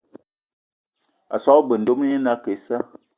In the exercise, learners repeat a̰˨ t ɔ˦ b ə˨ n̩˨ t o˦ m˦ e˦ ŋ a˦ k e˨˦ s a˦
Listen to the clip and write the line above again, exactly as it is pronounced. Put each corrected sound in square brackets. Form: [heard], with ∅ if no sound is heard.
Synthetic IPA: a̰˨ [s] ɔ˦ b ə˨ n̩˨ [d] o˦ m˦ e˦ [n] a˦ k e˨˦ s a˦